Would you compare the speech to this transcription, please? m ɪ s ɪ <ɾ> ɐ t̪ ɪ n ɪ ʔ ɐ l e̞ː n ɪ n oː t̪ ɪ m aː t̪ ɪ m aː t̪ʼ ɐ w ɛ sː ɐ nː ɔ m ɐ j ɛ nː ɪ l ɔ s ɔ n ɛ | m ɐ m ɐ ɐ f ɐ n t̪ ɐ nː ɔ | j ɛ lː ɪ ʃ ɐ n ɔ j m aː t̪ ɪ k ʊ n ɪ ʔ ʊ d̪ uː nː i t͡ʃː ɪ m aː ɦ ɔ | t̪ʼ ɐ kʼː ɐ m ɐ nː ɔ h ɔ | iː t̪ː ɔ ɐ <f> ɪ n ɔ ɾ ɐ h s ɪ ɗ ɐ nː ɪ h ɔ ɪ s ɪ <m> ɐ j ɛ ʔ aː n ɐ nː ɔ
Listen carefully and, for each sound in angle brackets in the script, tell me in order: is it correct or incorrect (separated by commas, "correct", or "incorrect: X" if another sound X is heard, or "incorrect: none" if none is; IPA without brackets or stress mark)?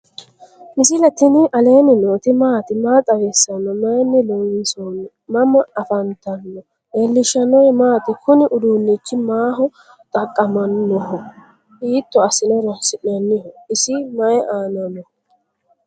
incorrect: l, incorrect: s, correct